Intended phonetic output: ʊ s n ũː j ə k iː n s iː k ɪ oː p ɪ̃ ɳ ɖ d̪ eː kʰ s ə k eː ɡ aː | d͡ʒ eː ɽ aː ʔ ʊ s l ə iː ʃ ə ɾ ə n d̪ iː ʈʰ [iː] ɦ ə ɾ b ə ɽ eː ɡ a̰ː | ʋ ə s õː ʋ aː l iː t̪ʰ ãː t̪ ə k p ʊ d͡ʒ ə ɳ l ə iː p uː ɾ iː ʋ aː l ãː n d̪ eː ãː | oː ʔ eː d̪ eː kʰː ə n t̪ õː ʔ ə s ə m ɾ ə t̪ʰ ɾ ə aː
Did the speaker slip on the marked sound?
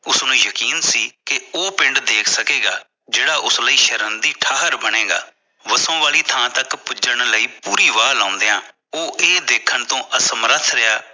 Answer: yes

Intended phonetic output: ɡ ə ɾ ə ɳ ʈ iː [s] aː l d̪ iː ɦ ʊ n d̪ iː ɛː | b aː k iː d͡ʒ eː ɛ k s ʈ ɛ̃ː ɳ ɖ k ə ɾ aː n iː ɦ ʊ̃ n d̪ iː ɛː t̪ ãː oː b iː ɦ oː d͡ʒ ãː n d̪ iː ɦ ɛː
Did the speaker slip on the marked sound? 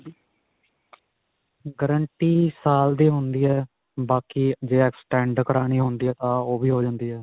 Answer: no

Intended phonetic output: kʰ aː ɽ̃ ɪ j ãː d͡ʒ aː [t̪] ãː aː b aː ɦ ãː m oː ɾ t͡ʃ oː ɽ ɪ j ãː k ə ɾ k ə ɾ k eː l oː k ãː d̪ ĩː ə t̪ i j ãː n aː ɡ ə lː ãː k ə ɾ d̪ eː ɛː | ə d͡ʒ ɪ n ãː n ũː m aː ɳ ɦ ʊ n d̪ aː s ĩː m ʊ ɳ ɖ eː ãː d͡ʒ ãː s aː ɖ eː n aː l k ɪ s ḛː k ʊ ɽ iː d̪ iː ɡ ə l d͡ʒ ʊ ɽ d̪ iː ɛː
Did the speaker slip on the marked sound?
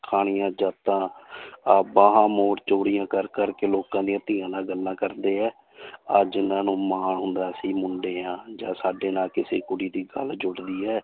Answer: no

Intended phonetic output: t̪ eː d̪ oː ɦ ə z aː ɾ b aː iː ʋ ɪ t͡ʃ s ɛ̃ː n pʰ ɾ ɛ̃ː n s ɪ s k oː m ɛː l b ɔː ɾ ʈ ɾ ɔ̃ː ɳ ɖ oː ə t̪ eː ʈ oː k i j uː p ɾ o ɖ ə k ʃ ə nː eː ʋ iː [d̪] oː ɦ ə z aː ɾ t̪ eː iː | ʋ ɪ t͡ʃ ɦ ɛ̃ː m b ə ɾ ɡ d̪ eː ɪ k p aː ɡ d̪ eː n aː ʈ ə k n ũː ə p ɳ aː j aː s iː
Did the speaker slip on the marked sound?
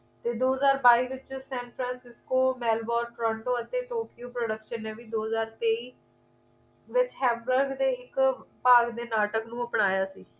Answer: no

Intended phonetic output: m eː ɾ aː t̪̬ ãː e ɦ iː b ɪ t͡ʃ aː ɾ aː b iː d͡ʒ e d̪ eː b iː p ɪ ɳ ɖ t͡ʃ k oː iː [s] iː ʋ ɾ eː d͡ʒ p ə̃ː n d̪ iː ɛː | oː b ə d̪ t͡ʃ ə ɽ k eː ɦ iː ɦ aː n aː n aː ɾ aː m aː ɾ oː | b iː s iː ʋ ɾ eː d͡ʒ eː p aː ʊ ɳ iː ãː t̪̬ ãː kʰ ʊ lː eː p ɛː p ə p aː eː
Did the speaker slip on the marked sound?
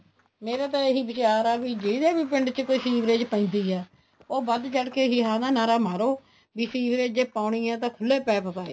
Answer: no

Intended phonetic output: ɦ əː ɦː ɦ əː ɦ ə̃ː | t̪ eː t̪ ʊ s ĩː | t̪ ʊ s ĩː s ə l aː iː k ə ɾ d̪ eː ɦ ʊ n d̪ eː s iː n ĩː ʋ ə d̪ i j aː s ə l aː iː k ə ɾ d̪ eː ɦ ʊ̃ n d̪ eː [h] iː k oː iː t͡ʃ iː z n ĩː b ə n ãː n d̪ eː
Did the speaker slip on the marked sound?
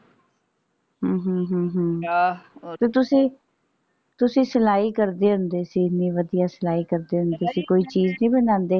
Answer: yes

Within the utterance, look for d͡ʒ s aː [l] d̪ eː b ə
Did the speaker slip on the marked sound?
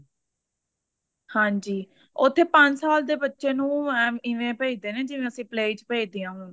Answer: no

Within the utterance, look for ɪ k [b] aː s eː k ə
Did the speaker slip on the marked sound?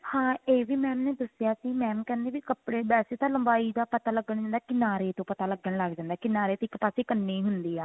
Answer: yes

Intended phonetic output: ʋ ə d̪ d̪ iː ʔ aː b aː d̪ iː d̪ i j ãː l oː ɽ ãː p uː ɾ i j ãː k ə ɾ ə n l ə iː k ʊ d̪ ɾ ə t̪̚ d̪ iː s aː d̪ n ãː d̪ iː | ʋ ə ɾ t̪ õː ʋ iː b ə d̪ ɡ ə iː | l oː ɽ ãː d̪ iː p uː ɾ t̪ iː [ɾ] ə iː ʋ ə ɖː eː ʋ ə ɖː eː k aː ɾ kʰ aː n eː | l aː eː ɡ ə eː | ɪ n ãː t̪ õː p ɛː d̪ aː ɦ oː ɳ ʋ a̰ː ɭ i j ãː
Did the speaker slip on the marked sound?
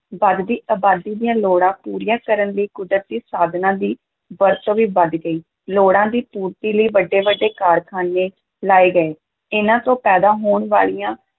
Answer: yes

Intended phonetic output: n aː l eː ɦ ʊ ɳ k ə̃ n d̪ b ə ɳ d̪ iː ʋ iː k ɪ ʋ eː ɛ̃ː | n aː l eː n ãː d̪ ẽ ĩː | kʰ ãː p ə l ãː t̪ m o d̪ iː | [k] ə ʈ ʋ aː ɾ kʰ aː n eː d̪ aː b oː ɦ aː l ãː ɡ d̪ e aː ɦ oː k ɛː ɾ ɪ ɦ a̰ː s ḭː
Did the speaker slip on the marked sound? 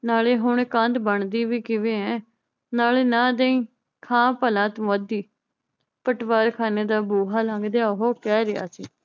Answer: yes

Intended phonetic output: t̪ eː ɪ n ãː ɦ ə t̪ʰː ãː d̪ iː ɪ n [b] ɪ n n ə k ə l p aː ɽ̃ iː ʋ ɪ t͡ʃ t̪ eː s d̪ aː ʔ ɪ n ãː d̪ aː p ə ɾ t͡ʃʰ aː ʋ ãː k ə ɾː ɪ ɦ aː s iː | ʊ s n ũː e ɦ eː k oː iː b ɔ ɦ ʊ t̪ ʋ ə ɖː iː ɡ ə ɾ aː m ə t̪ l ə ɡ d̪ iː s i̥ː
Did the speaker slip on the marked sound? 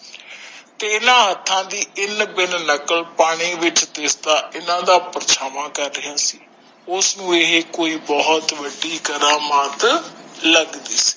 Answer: no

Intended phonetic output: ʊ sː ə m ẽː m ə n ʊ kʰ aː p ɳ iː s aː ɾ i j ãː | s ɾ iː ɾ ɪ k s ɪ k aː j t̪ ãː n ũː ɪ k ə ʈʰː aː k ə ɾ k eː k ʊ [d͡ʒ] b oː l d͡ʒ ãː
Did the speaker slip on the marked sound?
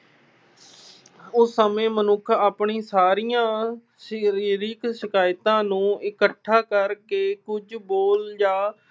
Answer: no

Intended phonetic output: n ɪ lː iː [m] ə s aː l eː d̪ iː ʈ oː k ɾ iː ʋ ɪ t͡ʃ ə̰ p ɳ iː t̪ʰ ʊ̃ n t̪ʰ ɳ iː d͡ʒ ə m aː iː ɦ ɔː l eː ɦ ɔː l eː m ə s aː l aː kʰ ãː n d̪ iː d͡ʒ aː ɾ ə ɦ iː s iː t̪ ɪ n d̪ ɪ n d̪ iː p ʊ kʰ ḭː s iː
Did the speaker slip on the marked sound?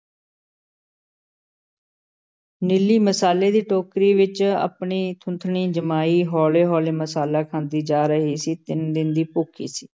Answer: no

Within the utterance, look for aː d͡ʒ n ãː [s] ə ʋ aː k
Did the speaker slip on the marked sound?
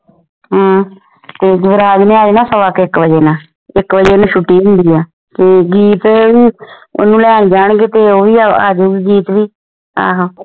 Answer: no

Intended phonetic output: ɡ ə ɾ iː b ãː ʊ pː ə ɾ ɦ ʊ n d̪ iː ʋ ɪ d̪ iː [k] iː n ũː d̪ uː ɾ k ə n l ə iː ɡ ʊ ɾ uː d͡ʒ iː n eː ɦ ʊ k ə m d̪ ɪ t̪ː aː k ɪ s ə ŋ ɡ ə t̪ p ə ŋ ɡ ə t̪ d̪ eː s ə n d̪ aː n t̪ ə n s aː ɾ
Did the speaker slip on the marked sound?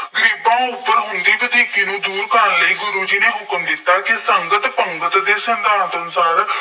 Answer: no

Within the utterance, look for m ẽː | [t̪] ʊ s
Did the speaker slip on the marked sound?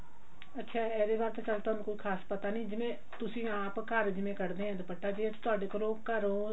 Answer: no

